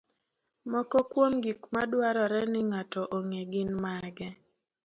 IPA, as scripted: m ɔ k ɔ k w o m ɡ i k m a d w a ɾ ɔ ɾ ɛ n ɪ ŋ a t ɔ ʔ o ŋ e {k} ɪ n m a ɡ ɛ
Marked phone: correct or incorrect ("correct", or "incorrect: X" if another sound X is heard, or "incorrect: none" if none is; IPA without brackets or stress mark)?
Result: incorrect: ɡ